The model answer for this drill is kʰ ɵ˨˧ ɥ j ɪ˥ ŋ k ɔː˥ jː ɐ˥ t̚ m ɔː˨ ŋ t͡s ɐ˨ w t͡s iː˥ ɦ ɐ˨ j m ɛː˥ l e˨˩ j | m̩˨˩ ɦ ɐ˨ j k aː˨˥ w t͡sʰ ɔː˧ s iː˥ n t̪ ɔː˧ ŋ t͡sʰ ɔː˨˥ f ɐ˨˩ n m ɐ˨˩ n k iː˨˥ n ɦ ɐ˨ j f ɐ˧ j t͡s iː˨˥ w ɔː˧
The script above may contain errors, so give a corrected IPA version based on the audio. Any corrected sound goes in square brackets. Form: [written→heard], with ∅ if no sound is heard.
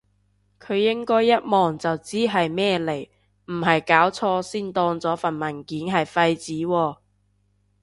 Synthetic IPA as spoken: kʰ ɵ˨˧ ɥ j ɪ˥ ŋ k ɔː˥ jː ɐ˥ t̚ m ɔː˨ ŋ t͡s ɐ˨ w t͡s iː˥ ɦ ɐ˨ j m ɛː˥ l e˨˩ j | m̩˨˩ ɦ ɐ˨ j k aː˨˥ w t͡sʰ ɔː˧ s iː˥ n t̪ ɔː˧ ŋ [t͡sʰ→t͡s] ɔː˨˥ f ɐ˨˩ n m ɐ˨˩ n k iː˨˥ n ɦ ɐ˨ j f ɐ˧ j t͡s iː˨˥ w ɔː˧